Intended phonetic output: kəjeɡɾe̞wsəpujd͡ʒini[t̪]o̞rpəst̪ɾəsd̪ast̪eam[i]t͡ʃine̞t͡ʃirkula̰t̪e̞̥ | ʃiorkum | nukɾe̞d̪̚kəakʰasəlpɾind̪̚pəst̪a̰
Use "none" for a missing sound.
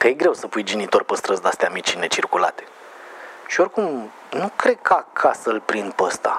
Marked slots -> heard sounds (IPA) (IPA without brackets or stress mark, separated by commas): t̪, i